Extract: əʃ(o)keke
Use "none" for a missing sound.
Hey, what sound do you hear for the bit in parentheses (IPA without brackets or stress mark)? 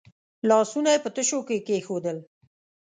o